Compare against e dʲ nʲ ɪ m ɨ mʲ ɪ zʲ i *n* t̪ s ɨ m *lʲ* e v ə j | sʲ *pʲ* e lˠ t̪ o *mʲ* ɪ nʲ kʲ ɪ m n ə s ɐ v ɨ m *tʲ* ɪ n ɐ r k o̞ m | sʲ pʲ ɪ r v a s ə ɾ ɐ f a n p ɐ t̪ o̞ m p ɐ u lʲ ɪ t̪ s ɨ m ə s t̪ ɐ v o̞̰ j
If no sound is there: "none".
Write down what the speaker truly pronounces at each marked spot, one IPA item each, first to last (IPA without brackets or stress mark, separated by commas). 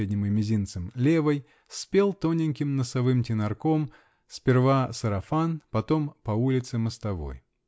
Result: n, lʲ, pʲ, nʲ, tʲ